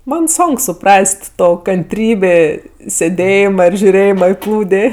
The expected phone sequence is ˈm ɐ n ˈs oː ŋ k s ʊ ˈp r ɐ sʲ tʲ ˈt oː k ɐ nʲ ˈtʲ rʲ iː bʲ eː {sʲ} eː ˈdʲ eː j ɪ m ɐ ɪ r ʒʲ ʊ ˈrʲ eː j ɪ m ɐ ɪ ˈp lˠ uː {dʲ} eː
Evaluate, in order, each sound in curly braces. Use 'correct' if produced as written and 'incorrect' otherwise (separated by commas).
correct, correct